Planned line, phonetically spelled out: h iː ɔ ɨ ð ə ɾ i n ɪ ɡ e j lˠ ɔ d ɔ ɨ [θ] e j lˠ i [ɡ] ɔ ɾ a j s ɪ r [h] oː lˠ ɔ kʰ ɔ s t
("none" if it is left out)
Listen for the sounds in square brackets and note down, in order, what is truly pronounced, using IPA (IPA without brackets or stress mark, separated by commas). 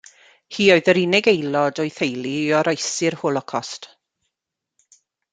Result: θ, none, h